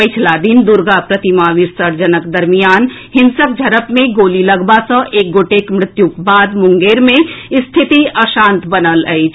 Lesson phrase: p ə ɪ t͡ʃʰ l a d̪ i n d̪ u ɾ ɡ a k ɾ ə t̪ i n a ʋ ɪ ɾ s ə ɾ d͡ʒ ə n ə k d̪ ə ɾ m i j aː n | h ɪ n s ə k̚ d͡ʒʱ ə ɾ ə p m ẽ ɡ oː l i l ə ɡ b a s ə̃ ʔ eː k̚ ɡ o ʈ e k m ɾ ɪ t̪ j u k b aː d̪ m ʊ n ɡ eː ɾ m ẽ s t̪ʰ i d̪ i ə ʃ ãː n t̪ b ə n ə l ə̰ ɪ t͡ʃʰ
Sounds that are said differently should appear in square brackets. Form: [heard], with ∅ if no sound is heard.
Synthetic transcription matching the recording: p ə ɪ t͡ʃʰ l a d̪ i n d̪ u ɾ ɡ a [p] ɾ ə t̪ i [m] a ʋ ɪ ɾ s ə ɾ d͡ʒ ə n ə k d̪ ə ɾ m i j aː n | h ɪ n s ə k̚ d͡ʒʱ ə ɾ ə p m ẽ ɡ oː l i l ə ɡ b a s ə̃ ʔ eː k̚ ɡ o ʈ e k m ɾ ɪ t̪ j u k b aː d̪ m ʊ [ŋ] ɡ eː ɾ m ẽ s t̪ʰ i [t̪] i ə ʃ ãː n t̪ b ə n ə l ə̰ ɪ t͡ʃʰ

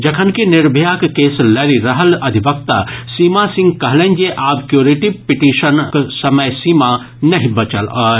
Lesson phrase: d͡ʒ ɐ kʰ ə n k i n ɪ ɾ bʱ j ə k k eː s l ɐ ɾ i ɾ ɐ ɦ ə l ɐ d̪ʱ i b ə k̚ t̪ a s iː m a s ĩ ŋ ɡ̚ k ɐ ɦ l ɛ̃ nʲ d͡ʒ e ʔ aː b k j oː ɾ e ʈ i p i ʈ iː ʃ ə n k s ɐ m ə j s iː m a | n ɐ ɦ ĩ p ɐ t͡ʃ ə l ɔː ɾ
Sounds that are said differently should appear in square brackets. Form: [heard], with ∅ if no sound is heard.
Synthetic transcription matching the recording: d͡ʒ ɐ kʰ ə n k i n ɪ ɾ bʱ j [a] k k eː s l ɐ ɾ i ɾ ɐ ɦ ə l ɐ d̪ʱ i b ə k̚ t̪ a s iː m a s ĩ ŋ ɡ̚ k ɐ ɦ l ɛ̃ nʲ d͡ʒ e ʔ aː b k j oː ɾ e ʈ i p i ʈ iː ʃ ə n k s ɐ m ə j s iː m a | n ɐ ɦ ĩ [b] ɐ t͡ʃ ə l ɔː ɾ

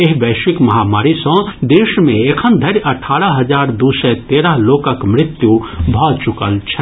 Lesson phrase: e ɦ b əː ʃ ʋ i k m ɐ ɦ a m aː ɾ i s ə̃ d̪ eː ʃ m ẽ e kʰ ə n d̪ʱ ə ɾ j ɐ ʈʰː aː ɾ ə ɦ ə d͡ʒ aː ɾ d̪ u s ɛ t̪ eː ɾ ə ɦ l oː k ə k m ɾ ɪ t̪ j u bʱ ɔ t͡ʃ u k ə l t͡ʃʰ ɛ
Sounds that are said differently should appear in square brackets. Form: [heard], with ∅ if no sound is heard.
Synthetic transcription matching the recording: e ɦ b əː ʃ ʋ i k m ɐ ɦ a m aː ɾ i s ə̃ d̪ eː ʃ m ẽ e kʰ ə n d̪ʱ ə ɾ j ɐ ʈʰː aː ɾ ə ɦ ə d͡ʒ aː ɾ d̪ u s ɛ t̪ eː ɾ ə ɦ l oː k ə k m ɾ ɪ t̪ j u bʱ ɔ t͡ʃ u k ə l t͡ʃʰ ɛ

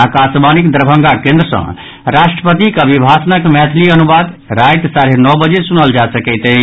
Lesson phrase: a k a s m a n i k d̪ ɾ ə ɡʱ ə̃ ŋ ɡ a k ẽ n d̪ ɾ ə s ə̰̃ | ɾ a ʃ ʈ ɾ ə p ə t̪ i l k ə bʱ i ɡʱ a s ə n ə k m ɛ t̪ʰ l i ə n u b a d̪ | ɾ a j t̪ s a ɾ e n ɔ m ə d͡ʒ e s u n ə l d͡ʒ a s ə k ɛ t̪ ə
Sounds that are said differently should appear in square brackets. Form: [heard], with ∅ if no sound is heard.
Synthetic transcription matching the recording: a k a s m a n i k d̪ ɾ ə [bʱ] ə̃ ŋ ɡ a k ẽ n d̪ ɾ ə s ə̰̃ | ɾ a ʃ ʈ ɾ ə p ə t̪ i [∅] k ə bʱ i [bʱ] a s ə n ə k m ɛ t̪ʰ l i ə n u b a d̪ | ɾ a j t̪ s a ɾ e n ɔ [b] ə d͡ʒ e s u n ə l d͡ʒ a s ə k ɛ t̪ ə

